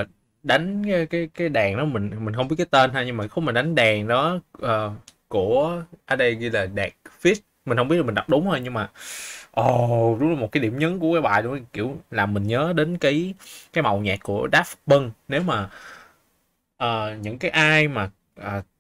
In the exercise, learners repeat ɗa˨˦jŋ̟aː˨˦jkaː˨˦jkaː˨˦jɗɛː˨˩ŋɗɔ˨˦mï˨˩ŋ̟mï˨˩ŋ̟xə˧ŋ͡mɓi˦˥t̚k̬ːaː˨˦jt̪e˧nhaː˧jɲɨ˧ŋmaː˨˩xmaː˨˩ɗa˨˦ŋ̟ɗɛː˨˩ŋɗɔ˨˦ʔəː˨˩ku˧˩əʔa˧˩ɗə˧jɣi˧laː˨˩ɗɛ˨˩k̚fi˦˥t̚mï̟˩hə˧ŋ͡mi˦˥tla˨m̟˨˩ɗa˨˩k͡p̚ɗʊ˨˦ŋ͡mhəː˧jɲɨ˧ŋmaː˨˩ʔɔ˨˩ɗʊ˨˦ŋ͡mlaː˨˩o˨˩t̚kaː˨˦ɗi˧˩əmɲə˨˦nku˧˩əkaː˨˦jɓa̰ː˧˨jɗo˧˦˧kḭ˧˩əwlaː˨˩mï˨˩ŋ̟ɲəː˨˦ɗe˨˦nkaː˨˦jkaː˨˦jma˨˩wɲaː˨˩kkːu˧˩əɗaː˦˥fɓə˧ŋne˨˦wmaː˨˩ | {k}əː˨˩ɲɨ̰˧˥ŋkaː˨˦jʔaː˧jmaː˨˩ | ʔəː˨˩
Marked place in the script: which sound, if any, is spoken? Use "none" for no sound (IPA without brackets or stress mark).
ʔ